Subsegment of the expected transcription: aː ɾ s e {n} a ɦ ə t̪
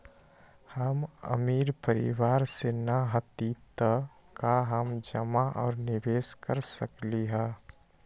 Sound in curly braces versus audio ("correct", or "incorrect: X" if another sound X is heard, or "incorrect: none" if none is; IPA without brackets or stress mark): correct